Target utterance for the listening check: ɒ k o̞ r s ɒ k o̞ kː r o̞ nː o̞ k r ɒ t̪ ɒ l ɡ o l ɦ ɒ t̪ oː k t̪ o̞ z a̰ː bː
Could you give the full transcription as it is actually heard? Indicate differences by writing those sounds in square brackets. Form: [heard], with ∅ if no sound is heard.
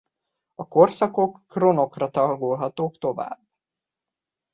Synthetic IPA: ɒ k o̞ r s ɒ k o̞ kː r o̞ [n] o̞ k r ɒ t̪ ɒ l ɡ o l ɦ ɒ t̪ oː k t̪ o̞ [v] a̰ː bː